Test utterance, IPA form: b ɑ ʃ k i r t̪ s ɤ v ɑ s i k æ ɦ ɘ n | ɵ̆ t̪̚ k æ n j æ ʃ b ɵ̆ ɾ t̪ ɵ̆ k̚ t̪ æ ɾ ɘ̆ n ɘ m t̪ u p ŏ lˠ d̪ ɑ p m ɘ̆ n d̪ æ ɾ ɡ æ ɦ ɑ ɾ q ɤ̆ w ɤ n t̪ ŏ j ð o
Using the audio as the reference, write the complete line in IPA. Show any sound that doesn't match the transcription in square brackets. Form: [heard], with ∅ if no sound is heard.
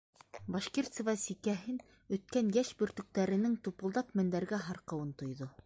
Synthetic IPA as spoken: b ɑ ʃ k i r t̪ s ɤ v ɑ s i k æ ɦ ɘ n | ɵ̆ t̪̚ k æ n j æ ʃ b ɵ̆ ɾ t̪ ɵ̆ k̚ t̪ æ ɾ ɘ̆ n ɘ [ŋ] t̪ u p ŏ lˠ d̪ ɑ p m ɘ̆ n d̪ æ ɾ ɡ æ ɦ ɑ ɾ q ɤ̆ w ɤ n t̪ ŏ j ð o